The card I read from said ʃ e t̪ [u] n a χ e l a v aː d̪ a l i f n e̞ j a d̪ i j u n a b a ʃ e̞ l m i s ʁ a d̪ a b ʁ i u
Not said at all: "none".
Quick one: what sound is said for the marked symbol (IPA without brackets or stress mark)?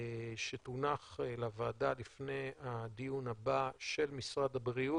u